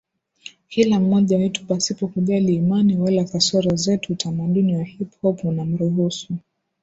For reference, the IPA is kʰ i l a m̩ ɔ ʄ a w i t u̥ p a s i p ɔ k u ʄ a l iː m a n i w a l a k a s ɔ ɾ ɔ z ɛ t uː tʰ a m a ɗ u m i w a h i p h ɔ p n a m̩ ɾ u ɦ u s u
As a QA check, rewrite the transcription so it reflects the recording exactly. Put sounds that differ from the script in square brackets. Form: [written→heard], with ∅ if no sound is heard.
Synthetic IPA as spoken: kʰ i l a m̩ ɔ ʄ a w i t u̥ p a s i p ɔ k u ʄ a l iː m a n i w a l a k a s ɔ ɾ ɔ z ɛ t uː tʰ a m a ɗ u [m→n] i w a h i p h ɔ p n a m̩ ɾ u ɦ u s u